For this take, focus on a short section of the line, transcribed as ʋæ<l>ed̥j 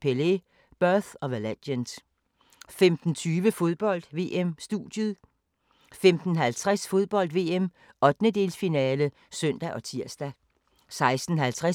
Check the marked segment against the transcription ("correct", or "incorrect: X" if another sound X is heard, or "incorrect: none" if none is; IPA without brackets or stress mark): correct